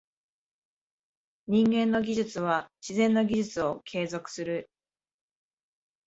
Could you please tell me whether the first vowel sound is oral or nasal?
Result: nasal